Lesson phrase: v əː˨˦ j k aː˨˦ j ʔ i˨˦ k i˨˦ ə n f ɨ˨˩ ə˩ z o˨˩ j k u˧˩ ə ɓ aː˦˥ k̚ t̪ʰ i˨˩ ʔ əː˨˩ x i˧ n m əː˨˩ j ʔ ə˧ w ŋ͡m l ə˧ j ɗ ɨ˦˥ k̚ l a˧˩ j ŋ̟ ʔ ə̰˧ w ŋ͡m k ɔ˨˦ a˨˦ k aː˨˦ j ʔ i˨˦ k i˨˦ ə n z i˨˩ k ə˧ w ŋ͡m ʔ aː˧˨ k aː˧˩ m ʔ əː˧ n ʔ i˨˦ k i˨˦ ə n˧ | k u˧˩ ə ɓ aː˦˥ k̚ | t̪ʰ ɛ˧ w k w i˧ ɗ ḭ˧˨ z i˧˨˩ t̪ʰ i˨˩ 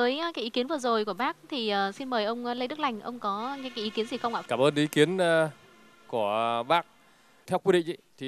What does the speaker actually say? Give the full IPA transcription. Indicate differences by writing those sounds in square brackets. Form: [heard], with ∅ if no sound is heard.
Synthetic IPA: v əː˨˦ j k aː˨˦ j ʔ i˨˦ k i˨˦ ə n [v] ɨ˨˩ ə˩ z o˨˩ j k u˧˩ ə ɓ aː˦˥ k̚ t̪ʰ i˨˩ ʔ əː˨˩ [s] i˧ n m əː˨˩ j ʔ ə˧ w ŋ͡m l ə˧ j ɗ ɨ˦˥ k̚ l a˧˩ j ŋ̟ ʔ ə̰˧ w ŋ͡m k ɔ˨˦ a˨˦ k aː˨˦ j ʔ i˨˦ k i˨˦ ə n z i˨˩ [x] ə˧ w ŋ͡m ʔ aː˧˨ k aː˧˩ m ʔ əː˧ n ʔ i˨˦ k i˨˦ ə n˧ | k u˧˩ ə ɓ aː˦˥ k̚ | t̪ʰ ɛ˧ w k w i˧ ɗ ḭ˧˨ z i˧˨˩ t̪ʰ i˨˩